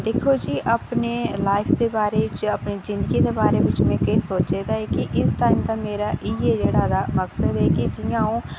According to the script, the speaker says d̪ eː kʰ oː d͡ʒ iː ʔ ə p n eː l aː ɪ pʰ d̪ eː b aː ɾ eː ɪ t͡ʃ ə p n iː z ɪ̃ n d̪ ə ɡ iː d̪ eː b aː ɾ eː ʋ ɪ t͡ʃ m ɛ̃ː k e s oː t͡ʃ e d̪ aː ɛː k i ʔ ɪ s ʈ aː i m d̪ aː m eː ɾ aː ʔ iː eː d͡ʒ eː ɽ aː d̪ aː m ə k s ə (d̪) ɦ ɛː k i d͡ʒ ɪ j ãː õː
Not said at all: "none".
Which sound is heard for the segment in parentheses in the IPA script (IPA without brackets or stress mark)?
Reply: d̪